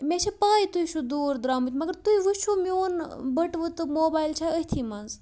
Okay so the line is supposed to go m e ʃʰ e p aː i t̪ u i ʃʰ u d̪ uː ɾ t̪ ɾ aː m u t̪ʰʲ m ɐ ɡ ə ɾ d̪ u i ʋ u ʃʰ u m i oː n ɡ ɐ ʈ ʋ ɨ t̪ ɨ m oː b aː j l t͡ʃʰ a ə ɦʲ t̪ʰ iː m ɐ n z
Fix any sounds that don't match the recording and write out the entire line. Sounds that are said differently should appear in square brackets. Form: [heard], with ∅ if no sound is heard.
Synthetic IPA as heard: m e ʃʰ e p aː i t̪ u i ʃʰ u d̪ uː ɾ [d̪] ɾ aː m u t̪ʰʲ m ɐ ɡ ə ɾ [t̪] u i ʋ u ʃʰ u m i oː n [b] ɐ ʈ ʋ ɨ t̪ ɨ m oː b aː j l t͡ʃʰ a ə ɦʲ t̪ʰ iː m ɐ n z